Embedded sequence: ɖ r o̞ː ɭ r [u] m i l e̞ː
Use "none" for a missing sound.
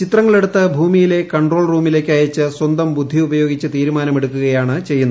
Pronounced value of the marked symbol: uː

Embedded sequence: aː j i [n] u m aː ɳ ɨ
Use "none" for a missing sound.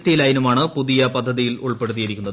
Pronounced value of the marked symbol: n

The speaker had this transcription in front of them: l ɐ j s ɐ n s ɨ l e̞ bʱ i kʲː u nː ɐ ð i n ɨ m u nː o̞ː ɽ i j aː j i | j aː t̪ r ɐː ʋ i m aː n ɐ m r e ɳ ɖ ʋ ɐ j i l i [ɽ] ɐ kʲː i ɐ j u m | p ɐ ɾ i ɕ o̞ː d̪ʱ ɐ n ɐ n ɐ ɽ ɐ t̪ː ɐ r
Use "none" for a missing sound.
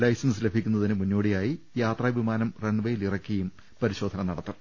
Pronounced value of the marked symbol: r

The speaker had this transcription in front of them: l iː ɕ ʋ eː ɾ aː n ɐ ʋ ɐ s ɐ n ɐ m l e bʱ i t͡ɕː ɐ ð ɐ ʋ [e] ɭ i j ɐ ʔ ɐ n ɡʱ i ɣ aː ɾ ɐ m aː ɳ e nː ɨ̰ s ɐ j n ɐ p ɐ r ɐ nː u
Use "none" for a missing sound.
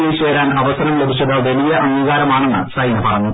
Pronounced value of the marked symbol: e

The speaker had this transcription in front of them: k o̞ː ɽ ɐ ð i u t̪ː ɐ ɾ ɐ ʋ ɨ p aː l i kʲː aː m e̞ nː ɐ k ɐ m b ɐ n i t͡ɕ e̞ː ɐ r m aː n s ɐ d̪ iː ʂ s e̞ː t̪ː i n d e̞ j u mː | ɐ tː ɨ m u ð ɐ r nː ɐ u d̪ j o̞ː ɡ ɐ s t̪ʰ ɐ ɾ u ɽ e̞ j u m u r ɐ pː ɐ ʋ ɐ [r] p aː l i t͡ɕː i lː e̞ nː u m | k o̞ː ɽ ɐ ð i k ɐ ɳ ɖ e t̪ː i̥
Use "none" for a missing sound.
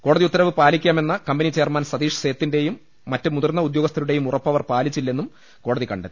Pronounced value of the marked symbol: r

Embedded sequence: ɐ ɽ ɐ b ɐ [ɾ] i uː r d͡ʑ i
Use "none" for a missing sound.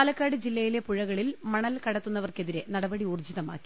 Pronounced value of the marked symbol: ɽ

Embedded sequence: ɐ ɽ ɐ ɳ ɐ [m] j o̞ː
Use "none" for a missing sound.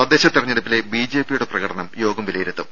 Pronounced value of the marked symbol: m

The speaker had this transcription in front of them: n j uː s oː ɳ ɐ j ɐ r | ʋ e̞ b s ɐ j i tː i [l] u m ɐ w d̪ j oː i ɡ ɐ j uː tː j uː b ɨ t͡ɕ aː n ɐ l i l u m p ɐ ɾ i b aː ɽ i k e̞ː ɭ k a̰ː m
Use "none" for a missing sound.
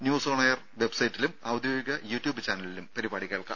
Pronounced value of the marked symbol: l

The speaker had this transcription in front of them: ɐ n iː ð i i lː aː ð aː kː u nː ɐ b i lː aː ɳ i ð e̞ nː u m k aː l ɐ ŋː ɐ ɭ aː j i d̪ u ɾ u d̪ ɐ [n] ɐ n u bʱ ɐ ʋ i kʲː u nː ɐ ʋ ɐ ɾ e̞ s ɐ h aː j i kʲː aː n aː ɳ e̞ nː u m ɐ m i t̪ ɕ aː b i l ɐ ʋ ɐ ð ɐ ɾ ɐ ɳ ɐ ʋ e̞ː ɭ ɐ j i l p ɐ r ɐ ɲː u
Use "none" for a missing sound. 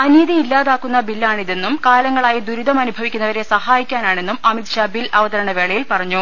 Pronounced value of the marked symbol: m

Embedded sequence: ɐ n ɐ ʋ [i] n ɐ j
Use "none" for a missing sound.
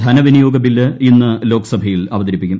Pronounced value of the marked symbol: i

